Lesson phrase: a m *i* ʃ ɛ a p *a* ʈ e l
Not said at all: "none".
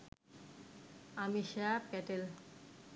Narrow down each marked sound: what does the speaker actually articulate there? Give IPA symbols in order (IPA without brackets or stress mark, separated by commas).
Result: i, ɛ